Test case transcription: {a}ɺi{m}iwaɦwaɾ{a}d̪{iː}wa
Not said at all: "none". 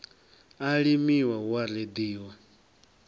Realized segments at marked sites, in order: a, m, e, iː

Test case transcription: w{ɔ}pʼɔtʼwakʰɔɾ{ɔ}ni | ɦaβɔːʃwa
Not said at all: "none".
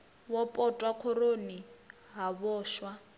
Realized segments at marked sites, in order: ɔ, o

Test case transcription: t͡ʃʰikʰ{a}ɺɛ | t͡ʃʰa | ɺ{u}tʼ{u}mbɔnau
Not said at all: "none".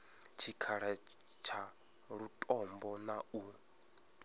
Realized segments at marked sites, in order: a, u, ɔ

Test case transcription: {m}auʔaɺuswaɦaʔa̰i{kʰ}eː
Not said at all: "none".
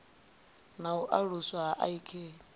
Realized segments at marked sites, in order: n, kʰ

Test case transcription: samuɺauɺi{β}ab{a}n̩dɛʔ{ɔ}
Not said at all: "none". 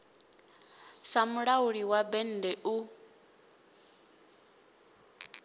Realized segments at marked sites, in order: w, ɛ, u

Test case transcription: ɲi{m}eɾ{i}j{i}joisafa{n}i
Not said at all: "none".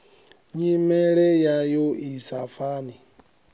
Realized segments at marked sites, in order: m, e, a, n

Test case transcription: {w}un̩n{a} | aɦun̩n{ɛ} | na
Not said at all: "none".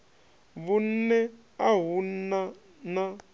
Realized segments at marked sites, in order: β, ɛ, a

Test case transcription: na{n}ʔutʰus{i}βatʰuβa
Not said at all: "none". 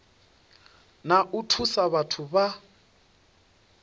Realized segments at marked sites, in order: none, a

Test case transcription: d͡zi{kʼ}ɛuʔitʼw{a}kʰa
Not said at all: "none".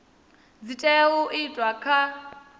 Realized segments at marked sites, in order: tʼ, a

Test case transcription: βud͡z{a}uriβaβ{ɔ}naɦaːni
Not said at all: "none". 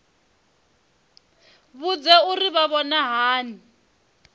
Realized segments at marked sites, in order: ɛ, ɔ

